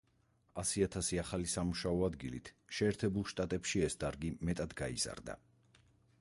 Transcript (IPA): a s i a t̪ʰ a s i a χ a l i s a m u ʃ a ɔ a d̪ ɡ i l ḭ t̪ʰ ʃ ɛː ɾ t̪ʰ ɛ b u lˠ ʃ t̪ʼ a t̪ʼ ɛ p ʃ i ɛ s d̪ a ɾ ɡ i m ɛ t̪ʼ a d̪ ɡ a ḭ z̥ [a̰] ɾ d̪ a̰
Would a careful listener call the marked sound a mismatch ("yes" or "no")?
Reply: no